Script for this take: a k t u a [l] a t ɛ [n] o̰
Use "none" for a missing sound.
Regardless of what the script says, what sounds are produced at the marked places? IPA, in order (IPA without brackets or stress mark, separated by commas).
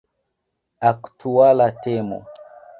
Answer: l, m